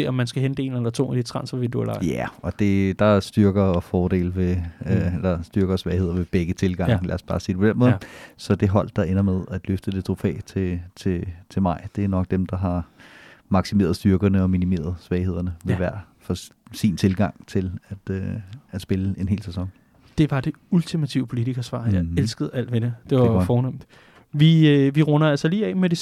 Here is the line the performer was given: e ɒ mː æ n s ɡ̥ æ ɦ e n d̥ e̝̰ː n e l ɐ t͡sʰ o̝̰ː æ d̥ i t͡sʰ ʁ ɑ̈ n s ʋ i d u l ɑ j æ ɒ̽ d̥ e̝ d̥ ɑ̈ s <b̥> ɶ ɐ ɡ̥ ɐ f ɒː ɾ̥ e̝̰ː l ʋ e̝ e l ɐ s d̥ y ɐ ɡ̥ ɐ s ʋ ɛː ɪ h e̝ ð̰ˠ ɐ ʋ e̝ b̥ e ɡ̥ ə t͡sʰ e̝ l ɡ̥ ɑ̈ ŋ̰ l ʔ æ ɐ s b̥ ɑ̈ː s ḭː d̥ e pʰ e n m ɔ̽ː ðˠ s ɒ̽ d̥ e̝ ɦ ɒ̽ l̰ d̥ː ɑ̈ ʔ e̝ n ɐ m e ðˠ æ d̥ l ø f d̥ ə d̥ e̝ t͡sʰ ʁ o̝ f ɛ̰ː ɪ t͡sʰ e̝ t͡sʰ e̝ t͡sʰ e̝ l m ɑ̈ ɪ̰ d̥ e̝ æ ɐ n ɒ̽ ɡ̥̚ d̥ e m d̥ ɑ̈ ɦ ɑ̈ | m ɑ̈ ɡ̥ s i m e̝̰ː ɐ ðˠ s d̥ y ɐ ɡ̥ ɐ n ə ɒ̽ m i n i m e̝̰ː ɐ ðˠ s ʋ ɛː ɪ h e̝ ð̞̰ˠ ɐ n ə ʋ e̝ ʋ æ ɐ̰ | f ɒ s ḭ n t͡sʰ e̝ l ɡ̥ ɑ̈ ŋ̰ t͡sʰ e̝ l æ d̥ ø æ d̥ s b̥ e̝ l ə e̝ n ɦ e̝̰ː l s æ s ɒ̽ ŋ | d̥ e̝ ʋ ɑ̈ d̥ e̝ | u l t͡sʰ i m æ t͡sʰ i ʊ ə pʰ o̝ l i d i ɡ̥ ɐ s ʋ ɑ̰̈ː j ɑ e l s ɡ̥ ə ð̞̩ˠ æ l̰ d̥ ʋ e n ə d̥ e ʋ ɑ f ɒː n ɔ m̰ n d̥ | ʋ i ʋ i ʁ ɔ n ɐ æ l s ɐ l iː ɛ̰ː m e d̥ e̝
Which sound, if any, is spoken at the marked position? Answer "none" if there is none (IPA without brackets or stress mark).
d̥